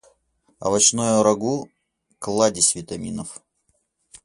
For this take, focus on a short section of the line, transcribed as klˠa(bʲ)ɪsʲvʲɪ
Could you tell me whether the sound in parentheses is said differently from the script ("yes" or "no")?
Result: yes